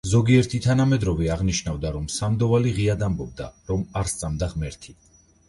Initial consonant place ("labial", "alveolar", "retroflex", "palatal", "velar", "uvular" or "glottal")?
alveolar